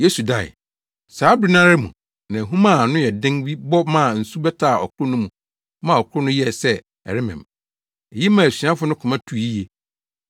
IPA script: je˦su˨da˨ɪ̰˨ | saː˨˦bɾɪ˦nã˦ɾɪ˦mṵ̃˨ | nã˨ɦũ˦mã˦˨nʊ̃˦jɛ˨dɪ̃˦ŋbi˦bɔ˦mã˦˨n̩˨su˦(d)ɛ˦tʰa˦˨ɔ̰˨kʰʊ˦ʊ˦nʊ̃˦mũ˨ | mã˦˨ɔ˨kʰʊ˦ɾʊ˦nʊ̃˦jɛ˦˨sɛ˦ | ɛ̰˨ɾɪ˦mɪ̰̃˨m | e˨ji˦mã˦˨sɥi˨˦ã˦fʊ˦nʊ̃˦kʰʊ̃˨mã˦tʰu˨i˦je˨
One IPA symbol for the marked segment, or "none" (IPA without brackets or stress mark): b